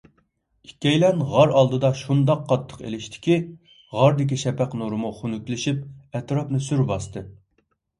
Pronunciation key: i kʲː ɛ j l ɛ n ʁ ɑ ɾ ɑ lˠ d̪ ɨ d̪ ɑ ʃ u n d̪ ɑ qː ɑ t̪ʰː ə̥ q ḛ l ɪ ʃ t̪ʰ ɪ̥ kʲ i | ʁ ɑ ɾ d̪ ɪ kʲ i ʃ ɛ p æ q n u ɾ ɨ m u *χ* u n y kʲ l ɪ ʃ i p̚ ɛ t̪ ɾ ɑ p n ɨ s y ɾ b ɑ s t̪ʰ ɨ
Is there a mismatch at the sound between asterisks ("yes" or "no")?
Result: no